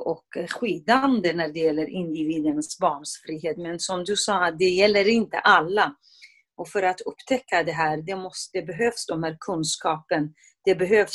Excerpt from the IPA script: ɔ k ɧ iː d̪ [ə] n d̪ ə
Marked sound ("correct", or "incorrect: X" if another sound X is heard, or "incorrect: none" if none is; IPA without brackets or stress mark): incorrect: a